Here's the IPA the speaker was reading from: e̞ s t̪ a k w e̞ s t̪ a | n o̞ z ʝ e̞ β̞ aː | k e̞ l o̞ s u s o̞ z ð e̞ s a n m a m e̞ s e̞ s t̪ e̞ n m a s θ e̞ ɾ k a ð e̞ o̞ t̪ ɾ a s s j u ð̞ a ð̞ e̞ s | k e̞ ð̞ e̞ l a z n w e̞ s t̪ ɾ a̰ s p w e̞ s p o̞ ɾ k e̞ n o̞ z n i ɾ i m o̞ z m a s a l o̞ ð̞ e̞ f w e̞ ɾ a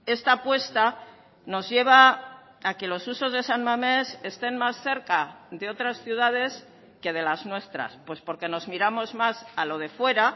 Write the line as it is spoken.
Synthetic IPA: e̞ s t̪ a p w e̞ s t̪ a | n o̞ z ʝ e̞ β̞ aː | k e̞ l o̞ s u s o̞ z ð e̞ s a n m a m e̞ s e̞ s t̪ e̞ n m a s θ e̞ ɾ k a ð e̞ o̞ t̪ ɾ a s θ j u ð̞ a ð̞ e̞ s | k e̞ ð̞ e̞ l a z n w e̞ s t̪ ɾ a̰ s p w e̞ s p o̞ ɾ k e̞ n o̞ z m i ɾ a m o̞ z m a s a l o̞ ð̞ e̞ f w e̞ ɾ a